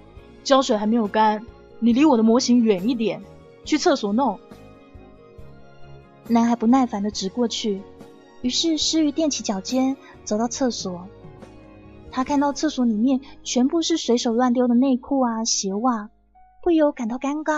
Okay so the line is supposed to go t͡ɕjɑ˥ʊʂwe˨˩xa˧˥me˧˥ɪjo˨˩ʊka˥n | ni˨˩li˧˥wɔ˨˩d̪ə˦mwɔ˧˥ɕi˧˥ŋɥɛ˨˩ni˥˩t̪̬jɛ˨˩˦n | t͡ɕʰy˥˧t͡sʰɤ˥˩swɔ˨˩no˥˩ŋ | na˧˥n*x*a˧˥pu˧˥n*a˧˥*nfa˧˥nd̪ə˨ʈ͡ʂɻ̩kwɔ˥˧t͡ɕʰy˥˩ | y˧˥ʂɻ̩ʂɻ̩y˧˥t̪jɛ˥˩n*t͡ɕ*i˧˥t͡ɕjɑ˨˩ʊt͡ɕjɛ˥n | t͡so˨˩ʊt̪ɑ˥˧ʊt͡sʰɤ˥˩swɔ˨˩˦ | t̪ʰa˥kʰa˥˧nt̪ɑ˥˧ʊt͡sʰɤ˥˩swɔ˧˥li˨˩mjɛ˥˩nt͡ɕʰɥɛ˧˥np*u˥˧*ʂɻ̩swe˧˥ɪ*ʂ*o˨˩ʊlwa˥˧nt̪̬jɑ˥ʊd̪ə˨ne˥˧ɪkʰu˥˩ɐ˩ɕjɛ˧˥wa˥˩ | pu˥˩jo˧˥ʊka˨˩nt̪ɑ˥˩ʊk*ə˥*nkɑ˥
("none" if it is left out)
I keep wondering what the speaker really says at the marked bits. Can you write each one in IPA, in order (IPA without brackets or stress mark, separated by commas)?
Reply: x, a˥˩, t͡ɕʰ, u˥˧, ʂ, a˥